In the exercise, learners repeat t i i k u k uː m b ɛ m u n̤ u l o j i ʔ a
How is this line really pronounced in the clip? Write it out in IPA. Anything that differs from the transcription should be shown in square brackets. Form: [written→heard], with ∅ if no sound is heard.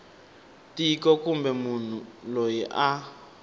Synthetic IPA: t i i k [u→ɔ] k [uː→u] m b ɛ m u n̤ u l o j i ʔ a